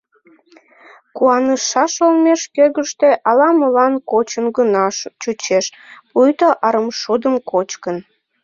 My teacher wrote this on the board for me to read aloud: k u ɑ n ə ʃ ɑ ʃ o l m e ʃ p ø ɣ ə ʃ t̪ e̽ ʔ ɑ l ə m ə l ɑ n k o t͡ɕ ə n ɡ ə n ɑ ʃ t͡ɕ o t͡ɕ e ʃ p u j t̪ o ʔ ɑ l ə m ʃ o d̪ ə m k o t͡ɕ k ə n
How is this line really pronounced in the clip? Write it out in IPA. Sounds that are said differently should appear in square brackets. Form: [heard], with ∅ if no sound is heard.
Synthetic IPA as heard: k u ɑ n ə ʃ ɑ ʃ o l m e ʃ [k] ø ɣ ə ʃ t̪ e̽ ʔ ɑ l [ɑ] m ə l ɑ n k o t͡ɕ ə n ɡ ə n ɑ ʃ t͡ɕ [u] t͡ɕ e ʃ p u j t̪ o ʔ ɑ [ɾ] ə m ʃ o d̪ ə m k o t͡ɕ k ə n

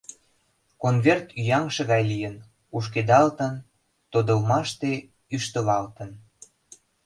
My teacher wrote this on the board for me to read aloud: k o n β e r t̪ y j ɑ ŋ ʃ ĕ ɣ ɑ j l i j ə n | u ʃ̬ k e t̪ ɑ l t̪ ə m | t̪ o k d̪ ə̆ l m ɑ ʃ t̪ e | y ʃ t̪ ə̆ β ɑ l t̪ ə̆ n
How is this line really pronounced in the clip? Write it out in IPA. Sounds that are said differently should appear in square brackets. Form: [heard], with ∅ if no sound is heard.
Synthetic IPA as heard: k o n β e r t̪ y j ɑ ŋ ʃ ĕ ɣ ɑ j l i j ə n | u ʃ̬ k e [d̪] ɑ l t̪ ə [n] | t̪ o [∅] d̪ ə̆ l m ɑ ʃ t̪ e | y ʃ t̪ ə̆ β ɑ l t̪ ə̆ n

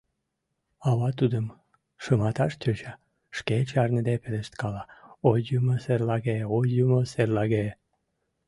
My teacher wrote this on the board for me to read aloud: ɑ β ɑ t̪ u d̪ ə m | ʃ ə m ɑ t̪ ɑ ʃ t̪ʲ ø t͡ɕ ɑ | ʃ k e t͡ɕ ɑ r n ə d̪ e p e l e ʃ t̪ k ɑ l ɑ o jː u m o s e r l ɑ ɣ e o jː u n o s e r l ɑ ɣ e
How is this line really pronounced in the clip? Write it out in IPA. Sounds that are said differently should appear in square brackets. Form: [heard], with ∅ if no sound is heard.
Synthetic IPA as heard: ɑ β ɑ t̪ u d̪ ə m | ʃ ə m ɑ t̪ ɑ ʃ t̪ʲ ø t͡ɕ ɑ | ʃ k e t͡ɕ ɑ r n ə d̪ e p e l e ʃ t̪ k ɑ l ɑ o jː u m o s e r l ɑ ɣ e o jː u [m] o s e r l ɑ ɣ e

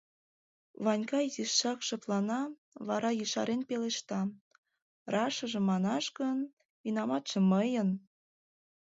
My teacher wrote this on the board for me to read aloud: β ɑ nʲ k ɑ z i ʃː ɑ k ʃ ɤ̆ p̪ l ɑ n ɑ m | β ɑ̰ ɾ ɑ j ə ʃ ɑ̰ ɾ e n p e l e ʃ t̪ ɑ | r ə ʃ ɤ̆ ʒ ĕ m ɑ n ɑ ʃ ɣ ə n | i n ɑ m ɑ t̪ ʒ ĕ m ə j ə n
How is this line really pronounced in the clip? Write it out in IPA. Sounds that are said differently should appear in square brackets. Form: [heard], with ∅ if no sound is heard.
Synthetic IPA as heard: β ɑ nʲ k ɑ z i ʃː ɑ k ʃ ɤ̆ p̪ l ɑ n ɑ [∅] | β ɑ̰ ɾ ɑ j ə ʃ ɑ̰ ɾ e n p e l e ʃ t̪ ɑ | r [ɑ] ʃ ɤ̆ ʒ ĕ m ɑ n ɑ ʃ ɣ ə n | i n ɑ m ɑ t̪ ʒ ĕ m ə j ə n

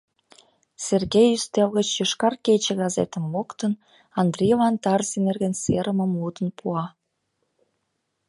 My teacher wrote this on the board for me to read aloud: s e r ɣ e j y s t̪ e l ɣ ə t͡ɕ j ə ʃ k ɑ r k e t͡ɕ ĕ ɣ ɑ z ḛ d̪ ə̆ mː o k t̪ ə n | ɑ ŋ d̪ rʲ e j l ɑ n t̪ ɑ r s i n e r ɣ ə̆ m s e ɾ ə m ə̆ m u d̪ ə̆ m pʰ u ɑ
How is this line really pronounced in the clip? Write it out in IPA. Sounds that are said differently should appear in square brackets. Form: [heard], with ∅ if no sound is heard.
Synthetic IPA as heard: s e r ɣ e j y s t̪ e l ɣ ə t͡ɕ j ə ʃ k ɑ r k e t͡ɕ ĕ ɣ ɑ z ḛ [t̪] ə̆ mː o k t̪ ə n | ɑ [n] d̪ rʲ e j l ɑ n t̪ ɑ r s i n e r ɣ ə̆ [n] s e ɾ ə m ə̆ m u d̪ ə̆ [n] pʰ u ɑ

